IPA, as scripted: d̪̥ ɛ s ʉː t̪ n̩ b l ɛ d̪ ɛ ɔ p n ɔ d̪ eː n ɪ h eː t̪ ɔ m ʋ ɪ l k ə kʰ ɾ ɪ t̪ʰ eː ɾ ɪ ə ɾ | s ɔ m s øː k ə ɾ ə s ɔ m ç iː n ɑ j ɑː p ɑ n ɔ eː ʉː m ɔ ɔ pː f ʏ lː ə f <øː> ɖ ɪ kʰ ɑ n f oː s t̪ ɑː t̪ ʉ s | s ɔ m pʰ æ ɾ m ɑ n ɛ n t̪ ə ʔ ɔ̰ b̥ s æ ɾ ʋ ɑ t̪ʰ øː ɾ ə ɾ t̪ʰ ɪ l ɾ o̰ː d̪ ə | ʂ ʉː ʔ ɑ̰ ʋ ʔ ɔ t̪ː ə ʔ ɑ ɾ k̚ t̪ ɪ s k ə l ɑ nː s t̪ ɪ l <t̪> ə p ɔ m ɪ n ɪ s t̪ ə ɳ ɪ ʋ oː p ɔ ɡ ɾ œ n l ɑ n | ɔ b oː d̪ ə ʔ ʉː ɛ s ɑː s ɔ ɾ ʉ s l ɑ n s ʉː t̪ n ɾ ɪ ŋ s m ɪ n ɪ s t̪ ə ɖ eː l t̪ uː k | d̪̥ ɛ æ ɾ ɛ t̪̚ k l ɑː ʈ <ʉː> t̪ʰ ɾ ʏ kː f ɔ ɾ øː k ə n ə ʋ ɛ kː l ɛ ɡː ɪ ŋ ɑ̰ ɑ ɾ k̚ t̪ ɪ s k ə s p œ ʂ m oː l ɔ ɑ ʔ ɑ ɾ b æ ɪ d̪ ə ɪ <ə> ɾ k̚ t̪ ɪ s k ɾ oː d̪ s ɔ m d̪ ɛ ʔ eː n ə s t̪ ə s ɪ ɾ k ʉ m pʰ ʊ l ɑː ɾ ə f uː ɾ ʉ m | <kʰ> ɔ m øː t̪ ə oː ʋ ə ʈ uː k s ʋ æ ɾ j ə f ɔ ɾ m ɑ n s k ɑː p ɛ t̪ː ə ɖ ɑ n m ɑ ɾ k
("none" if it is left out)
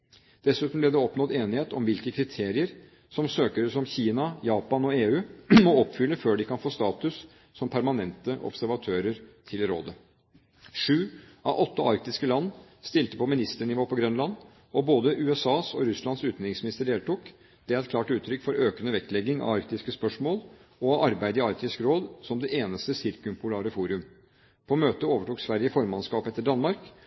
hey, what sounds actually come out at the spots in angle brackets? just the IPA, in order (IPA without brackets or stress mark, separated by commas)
øː, t̪, ʉː, ɑ, pʰ